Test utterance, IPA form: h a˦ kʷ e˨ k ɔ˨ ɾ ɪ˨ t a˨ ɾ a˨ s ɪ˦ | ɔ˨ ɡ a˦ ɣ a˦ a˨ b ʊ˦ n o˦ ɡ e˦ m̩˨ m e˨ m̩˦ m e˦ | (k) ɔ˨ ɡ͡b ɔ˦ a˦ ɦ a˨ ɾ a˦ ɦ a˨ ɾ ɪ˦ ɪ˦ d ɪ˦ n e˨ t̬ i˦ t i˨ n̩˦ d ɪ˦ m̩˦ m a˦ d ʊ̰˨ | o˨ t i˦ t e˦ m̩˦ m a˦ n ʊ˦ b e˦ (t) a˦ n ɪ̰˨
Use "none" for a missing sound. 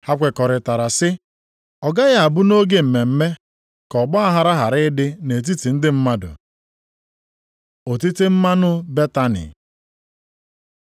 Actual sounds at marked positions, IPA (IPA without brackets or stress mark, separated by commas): k, t